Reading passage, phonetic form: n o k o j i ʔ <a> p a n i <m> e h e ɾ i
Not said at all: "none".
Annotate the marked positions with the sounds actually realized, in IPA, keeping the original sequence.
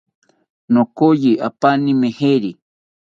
a, m

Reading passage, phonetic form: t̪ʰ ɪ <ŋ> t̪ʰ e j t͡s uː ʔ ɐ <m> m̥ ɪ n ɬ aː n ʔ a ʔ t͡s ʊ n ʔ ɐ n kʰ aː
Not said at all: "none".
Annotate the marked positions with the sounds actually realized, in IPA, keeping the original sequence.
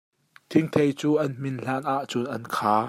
ŋ, n

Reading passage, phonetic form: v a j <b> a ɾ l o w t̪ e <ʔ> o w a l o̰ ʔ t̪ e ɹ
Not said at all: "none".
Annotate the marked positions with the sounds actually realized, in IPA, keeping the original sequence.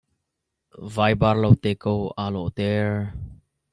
b, k

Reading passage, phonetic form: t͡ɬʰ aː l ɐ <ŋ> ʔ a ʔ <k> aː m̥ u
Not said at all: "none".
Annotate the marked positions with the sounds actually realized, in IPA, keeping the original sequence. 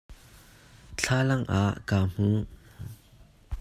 ŋ, k

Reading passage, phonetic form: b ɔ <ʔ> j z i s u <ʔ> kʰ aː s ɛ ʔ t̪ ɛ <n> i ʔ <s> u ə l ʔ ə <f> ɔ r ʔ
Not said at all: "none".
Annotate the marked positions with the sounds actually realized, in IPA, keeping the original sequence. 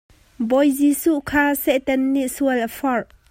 none, ʔ, nː, s, f

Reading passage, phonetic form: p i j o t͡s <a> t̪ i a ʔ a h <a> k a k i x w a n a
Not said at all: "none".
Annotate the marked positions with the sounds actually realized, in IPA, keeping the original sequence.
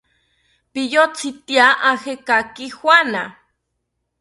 i, e

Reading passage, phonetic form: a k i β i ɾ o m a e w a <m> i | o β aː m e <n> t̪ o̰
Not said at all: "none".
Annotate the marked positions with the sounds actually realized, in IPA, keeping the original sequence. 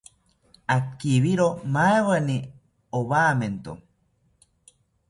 n, n

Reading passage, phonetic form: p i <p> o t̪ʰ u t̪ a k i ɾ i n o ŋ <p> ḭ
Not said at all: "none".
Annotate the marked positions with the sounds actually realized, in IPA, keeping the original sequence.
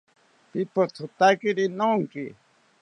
p, k

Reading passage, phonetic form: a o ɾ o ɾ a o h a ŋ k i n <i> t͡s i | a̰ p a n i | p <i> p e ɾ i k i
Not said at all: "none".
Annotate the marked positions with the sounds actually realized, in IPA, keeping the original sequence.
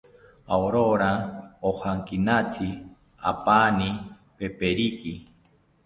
a, e

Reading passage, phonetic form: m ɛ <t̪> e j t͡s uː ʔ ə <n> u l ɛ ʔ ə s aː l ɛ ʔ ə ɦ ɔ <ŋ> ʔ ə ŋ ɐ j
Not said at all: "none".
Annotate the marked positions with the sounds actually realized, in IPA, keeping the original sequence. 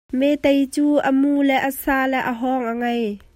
t̪, m, ŋ

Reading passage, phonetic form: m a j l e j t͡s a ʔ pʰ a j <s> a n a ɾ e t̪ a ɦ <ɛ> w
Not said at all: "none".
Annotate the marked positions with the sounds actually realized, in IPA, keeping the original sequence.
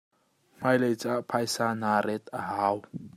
s, a

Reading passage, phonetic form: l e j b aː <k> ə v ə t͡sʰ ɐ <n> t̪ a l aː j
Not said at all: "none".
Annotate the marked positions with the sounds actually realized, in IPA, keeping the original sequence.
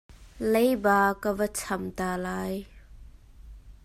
k, m

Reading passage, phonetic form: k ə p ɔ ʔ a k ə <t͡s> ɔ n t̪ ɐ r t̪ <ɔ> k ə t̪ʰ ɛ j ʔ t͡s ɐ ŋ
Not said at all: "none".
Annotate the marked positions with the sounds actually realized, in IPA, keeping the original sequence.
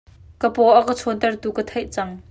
t͡sʰ, u

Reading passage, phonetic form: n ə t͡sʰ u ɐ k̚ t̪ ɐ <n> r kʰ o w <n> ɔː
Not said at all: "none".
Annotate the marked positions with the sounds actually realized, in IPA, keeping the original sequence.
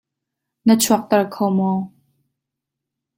none, m

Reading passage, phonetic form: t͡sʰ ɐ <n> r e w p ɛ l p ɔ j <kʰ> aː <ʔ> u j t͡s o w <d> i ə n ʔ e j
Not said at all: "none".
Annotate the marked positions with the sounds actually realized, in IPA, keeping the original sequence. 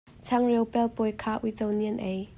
ŋ, kʰ, ʔ, n

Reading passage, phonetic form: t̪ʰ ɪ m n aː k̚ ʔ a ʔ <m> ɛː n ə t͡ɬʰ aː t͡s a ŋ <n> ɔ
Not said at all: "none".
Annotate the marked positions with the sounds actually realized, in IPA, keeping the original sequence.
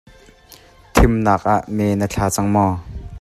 m, m

